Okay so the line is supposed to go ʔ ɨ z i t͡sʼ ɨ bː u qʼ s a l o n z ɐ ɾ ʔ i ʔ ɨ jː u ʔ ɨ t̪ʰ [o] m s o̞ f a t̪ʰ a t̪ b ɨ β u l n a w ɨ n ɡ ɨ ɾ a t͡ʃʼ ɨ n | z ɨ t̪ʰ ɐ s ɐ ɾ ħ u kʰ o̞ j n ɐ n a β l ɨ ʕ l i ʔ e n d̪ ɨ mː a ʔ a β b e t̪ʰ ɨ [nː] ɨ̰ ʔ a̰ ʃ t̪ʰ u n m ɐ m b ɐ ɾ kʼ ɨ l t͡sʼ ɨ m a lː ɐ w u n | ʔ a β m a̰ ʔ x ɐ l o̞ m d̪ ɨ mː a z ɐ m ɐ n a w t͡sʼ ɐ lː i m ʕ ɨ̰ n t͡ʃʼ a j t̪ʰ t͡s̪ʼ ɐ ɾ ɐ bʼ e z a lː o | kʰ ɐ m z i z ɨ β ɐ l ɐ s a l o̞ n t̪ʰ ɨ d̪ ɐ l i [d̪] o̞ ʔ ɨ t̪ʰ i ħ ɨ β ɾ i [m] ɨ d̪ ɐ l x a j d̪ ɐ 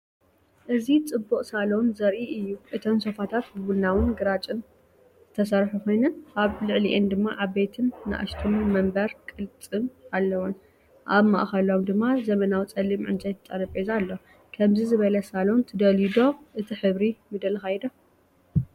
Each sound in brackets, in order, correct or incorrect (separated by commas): correct, correct, correct, correct